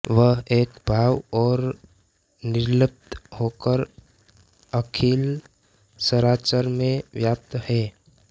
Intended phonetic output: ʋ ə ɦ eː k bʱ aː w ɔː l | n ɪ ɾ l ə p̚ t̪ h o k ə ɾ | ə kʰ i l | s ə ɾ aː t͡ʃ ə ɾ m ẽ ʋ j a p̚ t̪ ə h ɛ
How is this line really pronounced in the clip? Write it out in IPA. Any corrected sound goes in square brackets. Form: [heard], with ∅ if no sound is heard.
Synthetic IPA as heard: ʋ ə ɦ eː k bʱ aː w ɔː [ɾ] | n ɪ ɾ l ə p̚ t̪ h o k ə ɾ | ə kʰ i l | s ə ɾ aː t͡ʃ ə ɾ m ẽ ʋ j a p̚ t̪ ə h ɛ

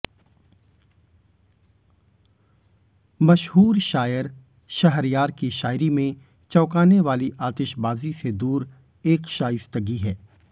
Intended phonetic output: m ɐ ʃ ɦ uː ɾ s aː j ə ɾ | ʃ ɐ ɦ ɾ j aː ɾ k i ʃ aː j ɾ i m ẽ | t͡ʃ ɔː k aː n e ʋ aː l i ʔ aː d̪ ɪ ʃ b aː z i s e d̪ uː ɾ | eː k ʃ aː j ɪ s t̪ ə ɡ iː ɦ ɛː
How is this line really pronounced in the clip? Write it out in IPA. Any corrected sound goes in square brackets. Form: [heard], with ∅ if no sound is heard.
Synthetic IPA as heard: m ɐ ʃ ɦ uː ɾ [ʃ] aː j ə ɾ | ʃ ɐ ɦ ɾ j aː ɾ k i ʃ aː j ɾ i m ẽ | t͡ʃ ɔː k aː n e ʋ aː l i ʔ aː [t̪] ɪ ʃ b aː z i s e d̪ uː ɾ | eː k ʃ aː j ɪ s t̪ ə ɡ [i] ɦ ɛː

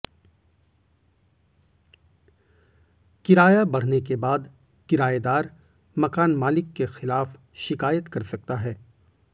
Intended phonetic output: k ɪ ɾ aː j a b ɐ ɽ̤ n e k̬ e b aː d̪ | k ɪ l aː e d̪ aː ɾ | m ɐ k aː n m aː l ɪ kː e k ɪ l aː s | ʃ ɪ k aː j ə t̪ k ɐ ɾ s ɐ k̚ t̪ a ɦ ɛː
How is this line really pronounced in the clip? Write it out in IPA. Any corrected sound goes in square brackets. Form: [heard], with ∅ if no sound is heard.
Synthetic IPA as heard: k ɪ ɾ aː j a b ɐ ɽ̤ n e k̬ e b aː d̪ | k ɪ [ɾ] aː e d̪ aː ɾ | m ɐ k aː n m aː l ɪ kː e [x] ɪ l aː [f] | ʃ ɪ k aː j ə t̪ k ɐ ɾ s ɐ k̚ t̪ a ɦ ɛː

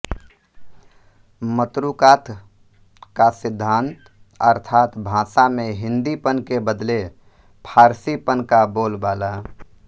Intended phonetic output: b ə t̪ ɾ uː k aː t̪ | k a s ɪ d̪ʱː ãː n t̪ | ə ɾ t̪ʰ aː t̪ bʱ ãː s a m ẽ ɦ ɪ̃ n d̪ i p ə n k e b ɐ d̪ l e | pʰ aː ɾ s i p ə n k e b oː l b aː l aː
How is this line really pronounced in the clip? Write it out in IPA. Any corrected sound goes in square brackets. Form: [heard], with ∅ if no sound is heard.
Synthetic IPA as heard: [m] ə t̪ ɾ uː k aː t̪ | k a s ɪ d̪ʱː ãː n t̪ | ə ɾ t̪ʰ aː t̪ bʱ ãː s a m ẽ ɦ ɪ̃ n d̪ i p ə n k e b [ə] d̪ l e | pʰ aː ɾ s i p ə n k [a] b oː l b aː l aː

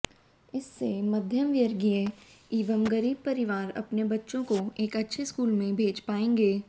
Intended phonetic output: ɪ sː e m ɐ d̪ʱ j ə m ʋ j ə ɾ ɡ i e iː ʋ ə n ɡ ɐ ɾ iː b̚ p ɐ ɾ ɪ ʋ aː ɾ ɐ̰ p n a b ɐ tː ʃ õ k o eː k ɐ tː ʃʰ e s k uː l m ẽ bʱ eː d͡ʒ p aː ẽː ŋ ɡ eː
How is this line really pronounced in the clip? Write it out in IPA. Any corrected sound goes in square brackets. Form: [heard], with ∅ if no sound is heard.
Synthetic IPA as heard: ɪ sː e m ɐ d̪ʱ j ə m ʋ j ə ɾ ɡ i e iː ʋ ə [m] ɡ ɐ ɾ iː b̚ p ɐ ɾ ɪ ʋ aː ɾ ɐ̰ p n [e] b ɐ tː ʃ õ k o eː k ɐ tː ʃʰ e s k uː l m ẽ bʱ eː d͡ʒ p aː ẽː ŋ ɡ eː

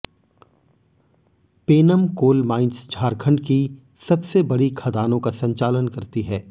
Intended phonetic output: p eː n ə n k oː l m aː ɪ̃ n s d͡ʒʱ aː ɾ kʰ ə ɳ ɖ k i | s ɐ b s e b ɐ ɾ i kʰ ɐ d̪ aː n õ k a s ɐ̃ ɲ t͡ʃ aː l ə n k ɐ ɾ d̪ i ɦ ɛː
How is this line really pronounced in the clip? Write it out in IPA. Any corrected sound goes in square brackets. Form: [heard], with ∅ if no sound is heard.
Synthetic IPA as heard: p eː n ə [m] k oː l m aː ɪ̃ n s d͡ʒʱ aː ɾ kʰ ə ɳ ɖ k i | s ɐ b s e b ɐ [ɽ] i kʰ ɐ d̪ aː n õ k a s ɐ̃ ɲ t͡ʃ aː l ə n k ɐ ɾ [t̪] i ɦ ɛː

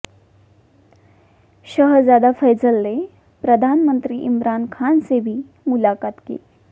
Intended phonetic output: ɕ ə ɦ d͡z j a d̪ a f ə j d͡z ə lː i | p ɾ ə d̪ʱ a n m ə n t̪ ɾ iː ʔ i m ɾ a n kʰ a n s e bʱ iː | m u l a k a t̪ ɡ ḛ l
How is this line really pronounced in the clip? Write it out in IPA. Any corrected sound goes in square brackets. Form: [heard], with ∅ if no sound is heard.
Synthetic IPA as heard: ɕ ə ɦ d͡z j a d̪ a f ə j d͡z ə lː [e] | p ɾ ə d̪ʱ a n m ə n t̪ ɾ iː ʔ i m ɾ a n kʰ a n s e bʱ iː | m u l a k a t̪ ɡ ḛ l

